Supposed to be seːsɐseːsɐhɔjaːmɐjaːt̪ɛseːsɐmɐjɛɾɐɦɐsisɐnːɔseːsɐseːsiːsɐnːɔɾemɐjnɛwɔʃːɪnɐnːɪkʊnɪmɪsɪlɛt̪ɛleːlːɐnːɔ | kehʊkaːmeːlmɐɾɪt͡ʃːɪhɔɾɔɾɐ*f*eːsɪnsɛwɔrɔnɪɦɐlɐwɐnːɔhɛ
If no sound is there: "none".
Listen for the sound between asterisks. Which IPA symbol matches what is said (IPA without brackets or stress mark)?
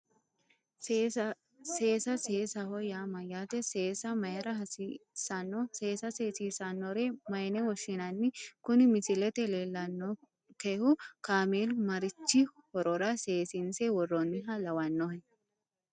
s